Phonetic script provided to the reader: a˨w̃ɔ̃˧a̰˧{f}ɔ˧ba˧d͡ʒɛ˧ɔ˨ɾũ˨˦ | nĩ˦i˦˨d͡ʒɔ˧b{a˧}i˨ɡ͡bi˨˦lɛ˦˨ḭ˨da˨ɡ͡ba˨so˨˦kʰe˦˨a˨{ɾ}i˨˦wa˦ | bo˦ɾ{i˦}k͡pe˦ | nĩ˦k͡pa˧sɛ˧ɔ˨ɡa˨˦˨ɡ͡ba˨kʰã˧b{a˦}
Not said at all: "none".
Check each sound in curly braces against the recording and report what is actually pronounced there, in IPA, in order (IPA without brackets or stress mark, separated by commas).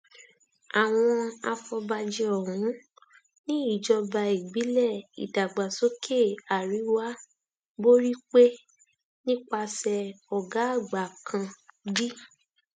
f, a˧, ɾ, i˦, i˦